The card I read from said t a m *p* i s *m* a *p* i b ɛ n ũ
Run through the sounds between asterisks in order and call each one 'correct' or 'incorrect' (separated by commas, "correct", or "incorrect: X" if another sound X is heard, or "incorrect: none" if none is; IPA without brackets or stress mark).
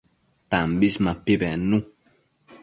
incorrect: b, correct, correct